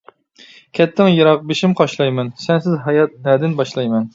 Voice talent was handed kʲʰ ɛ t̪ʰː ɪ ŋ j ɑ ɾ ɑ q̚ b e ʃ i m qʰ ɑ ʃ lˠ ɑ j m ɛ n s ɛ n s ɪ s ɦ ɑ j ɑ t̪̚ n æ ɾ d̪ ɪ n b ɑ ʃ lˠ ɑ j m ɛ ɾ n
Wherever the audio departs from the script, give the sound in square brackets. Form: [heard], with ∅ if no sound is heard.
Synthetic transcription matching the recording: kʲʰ ɛ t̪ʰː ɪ ŋ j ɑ ɾ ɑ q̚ b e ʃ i m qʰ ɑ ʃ lˠ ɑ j m ɛ n s ɛ n s ɪ [z] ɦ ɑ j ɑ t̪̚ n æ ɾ d̪ ɪ n b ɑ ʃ lˠ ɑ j m ɛ [∅] n